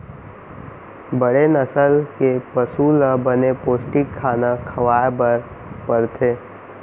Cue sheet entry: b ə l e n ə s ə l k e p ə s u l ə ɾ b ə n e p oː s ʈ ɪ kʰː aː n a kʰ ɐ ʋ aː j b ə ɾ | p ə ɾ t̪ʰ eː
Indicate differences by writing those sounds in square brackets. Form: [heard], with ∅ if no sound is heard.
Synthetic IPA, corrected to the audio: b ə [ɽ] e n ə s ə l k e p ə s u l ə [∅] b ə n e p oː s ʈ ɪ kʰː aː n a kʰ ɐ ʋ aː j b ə ɾ | p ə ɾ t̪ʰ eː